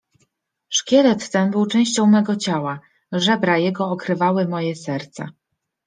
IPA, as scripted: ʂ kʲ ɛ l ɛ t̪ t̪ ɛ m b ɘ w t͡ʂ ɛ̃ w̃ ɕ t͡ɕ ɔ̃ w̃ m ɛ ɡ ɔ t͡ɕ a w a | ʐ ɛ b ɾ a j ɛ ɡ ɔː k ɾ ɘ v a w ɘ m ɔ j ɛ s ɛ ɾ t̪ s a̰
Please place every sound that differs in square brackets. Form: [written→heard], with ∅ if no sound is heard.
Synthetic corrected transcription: ʂ kʲ ɛ l ɛ t̪ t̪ ɛ [m→n] b ɘ w t͡ʂ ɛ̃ w̃ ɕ t͡ɕ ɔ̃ w̃ m ɛ ɡ ɔ t͡ɕ a w a | ʐ ɛ b ɾ a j ɛ ɡ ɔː k ɾ ɘ v a w ɘ m ɔ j ɛ s ɛ ɾ t̪ s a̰